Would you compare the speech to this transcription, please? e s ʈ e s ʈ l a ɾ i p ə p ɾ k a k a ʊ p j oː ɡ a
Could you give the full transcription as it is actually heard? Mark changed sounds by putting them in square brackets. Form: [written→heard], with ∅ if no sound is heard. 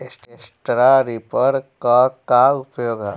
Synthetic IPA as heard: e s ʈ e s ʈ [l→ɾ] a ɾ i p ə [p→∅] ɾ k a k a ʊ p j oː ɡ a

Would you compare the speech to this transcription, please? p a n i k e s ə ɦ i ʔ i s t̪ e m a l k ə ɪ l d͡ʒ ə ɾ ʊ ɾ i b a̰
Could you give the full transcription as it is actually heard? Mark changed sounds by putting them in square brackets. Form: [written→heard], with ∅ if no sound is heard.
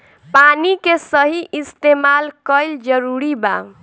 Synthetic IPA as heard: p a n i k e s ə ɦ i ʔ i s t̪ e m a l k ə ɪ l d͡ʒ ə ɾ [ʊ→u] ɾ i b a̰

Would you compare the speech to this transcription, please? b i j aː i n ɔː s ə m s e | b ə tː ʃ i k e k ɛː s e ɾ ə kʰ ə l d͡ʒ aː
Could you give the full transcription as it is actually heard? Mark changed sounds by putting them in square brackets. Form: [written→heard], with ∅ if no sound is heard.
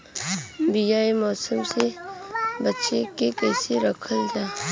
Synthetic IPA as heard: b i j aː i [n→m] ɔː s ə m s e | b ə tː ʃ [i→e] k e k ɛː s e ɾ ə kʰ ə l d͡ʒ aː

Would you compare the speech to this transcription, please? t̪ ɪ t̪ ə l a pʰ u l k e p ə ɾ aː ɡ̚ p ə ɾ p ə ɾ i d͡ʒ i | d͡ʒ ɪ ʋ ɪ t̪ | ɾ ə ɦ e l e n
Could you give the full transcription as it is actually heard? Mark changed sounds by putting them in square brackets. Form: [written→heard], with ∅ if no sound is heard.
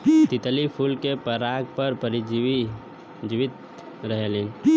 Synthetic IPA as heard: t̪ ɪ t̪ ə l [a→i] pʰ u l k e p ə ɾ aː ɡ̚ p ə ɾ p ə ɾ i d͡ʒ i | d͡ʒ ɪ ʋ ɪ t̪ | ɾ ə ɦ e l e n

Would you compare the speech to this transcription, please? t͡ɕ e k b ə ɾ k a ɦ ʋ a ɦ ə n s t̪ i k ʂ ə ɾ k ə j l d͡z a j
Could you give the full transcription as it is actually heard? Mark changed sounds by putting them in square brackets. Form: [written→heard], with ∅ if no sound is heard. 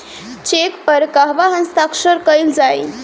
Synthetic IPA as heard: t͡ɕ e k [b→p] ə ɾ k a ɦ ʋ a ɦ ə n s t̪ [i→a] k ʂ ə ɾ k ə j l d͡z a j

